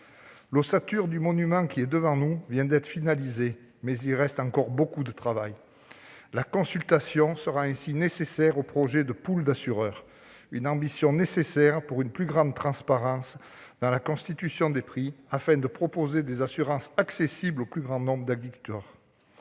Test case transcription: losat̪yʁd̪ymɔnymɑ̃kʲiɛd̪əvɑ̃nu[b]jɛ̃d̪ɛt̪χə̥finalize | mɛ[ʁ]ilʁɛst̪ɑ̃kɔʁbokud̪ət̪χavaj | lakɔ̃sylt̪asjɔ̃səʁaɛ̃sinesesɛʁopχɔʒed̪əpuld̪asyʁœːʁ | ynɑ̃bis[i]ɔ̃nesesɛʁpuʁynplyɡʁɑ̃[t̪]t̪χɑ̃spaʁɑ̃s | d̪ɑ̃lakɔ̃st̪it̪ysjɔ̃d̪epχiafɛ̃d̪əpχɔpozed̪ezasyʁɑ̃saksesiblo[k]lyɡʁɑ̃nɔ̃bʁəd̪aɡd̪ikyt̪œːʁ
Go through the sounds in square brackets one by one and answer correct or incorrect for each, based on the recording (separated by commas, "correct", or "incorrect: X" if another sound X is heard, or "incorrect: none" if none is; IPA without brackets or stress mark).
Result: incorrect: v, incorrect: z, incorrect: j, incorrect: d̪, incorrect: p